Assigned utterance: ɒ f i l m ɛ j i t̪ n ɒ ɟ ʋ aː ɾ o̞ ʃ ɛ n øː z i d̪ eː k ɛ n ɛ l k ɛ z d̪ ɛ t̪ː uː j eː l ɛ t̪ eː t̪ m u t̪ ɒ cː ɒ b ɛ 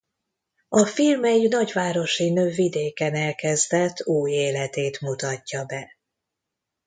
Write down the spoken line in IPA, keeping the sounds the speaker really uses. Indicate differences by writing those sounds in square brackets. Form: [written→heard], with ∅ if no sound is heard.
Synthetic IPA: ɒ f i l m ɛ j i [t̪→∅] n ɒ ɟ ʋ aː ɾ o̞ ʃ [ɛ→i] n øː [z→v] i d̪ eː k ɛ n ɛ l k ɛ z d̪ ɛ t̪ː uː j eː l ɛ t̪ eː t̪ m u t̪ ɒ cː ɒ b ɛ